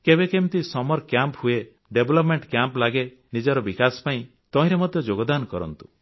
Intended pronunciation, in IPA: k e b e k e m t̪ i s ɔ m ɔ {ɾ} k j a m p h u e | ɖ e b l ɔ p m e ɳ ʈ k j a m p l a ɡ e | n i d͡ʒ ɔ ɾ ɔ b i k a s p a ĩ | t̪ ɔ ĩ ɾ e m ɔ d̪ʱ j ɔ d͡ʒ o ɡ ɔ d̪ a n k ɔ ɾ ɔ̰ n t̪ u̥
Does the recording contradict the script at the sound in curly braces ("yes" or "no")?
no